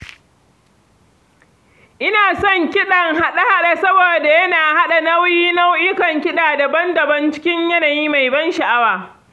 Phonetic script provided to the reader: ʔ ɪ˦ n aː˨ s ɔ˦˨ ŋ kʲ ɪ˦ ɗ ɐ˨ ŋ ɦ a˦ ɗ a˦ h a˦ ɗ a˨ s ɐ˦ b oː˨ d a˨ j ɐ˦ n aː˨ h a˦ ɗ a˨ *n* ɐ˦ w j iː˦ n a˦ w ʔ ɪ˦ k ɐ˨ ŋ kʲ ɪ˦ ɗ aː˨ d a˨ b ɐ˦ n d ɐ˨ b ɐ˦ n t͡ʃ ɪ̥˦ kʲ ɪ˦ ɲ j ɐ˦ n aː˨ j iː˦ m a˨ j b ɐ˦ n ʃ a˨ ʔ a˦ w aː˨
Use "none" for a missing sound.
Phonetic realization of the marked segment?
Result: n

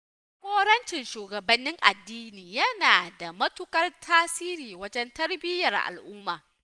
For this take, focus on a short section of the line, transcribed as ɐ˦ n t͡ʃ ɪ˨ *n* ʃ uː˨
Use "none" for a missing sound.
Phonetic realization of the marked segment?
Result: n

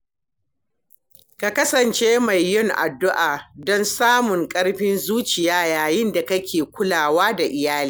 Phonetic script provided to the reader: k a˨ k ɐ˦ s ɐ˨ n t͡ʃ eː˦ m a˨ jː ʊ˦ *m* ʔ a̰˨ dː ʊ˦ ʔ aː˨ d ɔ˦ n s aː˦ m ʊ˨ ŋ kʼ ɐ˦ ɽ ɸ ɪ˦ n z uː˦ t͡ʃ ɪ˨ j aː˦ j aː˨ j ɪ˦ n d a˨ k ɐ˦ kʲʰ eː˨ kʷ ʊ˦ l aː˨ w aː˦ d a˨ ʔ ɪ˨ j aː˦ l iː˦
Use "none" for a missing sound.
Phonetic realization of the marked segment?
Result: ŋ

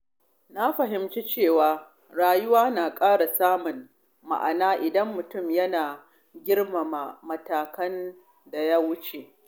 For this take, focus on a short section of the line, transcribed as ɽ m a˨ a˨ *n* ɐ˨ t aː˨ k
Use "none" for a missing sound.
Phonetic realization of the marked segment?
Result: m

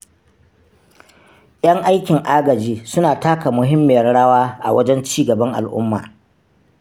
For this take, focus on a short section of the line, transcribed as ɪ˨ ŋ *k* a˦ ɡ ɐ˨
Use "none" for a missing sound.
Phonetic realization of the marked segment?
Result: ʔ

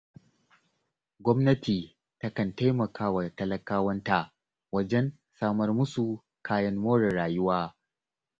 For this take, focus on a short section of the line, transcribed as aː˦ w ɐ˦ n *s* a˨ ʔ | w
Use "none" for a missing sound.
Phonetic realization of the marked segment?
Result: t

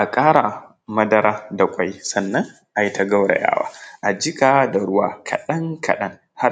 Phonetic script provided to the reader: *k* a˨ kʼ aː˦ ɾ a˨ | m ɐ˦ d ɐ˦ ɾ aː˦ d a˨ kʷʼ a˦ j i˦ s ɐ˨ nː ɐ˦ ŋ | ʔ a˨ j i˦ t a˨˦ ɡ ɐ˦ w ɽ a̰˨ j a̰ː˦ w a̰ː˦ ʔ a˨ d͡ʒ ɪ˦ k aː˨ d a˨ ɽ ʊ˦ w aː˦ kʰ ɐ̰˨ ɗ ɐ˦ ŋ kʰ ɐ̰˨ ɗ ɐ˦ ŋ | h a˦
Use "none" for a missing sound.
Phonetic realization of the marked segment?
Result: ʔ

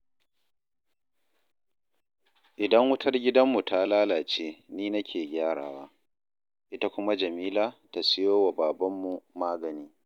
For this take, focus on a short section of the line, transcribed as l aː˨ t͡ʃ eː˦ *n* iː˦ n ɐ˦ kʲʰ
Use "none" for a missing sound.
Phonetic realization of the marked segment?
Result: n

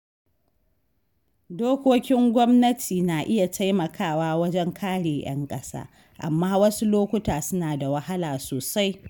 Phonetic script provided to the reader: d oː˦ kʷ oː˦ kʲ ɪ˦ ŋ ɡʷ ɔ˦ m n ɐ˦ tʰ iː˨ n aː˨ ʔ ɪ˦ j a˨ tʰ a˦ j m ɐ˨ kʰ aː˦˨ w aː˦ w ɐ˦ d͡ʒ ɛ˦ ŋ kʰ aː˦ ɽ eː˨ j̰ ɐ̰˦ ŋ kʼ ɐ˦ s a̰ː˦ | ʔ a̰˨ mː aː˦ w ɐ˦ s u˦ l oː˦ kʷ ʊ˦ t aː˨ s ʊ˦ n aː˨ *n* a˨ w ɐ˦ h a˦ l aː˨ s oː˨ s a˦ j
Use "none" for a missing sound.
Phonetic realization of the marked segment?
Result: d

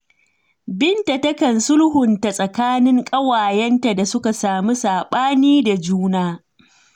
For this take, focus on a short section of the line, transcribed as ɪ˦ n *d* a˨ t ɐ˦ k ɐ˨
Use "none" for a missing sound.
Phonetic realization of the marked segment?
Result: t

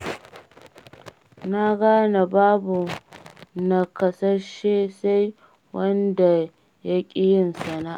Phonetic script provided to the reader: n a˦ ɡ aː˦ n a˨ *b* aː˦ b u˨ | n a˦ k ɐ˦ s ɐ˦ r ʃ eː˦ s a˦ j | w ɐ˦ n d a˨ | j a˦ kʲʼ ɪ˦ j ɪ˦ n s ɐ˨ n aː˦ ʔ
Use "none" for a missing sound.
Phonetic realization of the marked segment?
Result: b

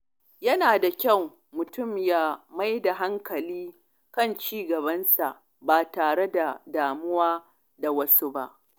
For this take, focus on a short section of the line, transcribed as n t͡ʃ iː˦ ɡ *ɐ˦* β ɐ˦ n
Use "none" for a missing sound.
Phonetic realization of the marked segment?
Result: ɐ˨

